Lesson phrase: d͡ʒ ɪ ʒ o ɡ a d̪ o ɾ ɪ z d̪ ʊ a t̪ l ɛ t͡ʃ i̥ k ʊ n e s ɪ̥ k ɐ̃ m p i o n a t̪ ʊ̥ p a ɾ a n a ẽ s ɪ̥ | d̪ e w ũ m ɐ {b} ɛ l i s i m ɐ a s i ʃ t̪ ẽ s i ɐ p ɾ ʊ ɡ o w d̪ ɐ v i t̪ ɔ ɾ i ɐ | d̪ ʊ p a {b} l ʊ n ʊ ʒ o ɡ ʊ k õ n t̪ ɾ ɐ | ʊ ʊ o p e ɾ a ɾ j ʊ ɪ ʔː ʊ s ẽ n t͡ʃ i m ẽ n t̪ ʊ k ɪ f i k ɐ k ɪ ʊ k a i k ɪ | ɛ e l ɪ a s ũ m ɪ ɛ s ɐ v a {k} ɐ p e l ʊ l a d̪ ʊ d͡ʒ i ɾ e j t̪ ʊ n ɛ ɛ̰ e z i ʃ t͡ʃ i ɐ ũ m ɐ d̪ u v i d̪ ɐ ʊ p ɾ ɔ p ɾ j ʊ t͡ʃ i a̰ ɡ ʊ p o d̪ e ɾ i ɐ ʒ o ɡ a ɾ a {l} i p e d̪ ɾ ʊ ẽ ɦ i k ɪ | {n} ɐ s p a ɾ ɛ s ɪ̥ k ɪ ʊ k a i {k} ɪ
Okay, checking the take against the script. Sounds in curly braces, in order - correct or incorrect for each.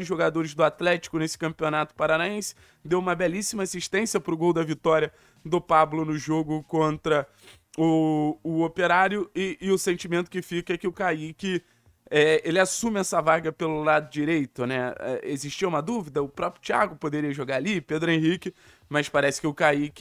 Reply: correct, correct, incorrect: ɡ, correct, incorrect: m, correct

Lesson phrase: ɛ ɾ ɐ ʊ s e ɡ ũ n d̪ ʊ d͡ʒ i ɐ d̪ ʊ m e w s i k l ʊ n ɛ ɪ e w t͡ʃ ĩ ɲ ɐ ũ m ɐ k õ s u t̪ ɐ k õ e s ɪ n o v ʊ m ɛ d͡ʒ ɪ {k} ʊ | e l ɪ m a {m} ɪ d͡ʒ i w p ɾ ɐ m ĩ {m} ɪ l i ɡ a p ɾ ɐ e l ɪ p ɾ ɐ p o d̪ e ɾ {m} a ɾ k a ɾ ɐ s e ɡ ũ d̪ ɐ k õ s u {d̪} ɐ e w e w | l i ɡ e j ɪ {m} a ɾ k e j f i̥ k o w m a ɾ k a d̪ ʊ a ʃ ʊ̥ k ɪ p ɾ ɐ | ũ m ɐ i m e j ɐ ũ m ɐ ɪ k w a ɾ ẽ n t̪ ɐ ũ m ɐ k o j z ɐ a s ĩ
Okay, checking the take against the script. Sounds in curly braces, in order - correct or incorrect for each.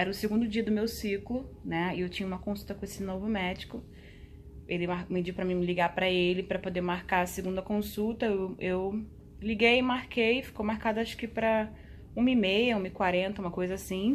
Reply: correct, correct, correct, correct, incorrect: t̪, correct

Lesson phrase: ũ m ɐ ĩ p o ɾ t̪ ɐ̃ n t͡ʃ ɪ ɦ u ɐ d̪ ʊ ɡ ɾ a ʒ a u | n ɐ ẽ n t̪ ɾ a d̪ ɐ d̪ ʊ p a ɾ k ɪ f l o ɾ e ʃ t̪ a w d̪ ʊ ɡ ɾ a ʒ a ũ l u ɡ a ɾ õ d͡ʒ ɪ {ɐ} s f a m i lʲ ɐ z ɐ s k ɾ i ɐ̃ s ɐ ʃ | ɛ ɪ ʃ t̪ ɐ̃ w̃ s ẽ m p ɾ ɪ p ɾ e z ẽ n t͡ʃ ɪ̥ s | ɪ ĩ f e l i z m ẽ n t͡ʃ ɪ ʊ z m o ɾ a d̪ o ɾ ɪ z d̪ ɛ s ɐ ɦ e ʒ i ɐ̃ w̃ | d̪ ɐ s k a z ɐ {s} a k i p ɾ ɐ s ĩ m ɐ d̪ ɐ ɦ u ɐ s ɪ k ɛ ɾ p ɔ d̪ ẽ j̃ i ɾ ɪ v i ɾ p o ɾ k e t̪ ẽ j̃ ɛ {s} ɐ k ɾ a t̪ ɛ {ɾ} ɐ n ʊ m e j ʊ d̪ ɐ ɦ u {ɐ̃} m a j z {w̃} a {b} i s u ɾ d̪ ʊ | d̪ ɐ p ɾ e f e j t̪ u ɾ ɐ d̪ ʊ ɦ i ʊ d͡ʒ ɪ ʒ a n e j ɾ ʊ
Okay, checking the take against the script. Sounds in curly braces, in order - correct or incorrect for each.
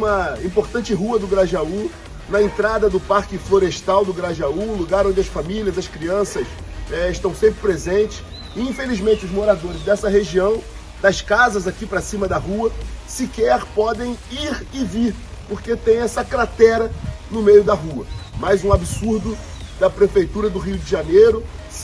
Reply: correct, incorrect: z, correct, correct, incorrect: ɐ, incorrect: ũ, correct

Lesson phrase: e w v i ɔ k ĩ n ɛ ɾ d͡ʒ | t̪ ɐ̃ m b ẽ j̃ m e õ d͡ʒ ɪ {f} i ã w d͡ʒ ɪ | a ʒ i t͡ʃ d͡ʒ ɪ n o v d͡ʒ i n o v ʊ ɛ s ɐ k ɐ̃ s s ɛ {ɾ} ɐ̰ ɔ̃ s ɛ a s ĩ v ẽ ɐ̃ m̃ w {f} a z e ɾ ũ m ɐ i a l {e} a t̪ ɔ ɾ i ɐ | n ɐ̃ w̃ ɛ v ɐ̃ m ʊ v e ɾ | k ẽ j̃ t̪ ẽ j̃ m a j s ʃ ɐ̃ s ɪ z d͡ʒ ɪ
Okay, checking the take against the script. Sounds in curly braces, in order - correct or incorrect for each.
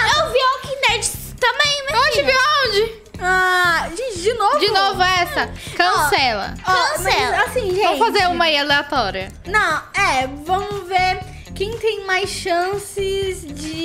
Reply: incorrect: v, incorrect: l, correct, correct

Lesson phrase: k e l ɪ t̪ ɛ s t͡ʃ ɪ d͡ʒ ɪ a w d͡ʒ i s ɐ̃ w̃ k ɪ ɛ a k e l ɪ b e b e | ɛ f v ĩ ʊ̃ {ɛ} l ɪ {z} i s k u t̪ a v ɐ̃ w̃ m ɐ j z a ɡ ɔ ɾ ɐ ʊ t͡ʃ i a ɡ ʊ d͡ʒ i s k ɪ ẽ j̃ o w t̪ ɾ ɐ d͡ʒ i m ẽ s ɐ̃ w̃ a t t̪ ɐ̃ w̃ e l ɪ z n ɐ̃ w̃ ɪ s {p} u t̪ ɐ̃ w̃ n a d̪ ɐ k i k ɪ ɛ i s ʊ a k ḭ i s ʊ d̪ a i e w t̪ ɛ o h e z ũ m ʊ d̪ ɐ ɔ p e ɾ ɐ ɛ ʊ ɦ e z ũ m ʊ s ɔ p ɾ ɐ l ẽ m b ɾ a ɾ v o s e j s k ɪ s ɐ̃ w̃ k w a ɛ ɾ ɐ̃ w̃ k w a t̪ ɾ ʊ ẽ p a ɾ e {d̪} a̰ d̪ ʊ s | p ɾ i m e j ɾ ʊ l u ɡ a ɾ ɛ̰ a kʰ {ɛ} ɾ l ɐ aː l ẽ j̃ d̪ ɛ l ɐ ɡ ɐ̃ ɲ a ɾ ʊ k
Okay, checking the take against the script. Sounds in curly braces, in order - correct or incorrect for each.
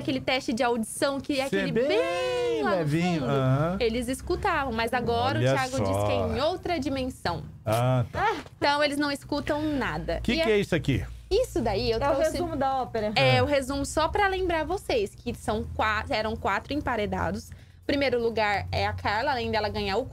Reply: incorrect: e, correct, incorrect: k, correct, incorrect: a

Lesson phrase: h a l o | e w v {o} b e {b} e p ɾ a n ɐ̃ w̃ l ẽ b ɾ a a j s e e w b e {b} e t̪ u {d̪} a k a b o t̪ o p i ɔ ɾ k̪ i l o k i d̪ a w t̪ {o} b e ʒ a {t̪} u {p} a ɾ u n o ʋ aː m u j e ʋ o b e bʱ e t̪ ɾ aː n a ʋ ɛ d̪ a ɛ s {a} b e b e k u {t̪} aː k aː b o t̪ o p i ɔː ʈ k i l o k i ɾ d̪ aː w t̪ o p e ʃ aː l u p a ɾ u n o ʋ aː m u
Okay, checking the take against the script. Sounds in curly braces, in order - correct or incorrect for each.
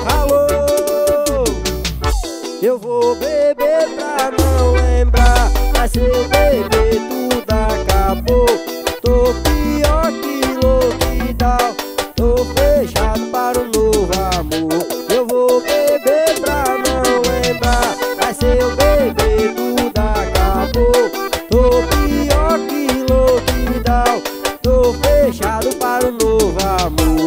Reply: correct, correct, correct, correct, correct, incorrect: d̪, correct, incorrect: e, incorrect: d̪

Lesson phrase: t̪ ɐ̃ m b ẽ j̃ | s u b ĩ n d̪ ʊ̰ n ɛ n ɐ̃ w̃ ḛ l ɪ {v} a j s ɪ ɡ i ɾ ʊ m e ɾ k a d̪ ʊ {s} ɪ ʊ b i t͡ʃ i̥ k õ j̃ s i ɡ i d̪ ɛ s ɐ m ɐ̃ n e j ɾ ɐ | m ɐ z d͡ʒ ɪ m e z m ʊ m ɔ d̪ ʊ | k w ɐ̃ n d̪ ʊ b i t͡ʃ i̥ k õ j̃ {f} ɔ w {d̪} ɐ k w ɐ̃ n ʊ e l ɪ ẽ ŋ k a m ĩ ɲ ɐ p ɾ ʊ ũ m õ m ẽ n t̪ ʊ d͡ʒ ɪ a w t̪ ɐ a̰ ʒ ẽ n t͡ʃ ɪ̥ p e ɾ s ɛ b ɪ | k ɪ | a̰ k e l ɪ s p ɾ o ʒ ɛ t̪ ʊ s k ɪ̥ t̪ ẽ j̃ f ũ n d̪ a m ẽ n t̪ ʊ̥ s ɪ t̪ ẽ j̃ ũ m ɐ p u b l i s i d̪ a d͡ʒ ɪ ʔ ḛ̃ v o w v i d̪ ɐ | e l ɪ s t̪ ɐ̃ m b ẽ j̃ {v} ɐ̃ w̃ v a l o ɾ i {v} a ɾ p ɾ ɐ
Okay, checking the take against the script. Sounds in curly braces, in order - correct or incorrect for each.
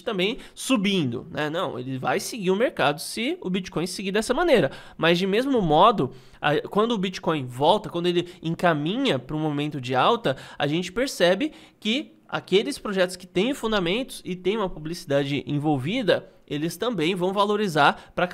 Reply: correct, correct, incorrect: v, incorrect: t̪, correct, incorrect: z

